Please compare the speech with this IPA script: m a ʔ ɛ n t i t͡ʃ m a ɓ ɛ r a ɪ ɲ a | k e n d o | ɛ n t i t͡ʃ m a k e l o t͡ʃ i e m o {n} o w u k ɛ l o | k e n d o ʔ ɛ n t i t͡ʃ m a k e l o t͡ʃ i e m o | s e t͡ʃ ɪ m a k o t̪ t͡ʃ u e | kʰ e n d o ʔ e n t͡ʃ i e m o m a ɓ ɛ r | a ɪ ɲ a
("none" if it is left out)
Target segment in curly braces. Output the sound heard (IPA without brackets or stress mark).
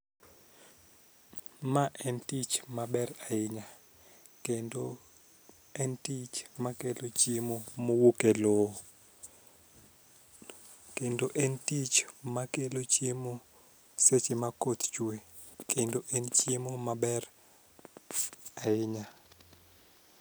m